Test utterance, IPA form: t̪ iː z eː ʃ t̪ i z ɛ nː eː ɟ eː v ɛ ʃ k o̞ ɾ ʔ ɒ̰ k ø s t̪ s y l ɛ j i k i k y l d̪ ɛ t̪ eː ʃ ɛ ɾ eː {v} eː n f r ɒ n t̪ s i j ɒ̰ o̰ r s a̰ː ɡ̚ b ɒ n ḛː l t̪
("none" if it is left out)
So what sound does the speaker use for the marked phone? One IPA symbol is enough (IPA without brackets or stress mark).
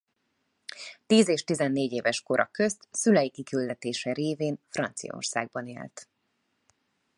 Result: v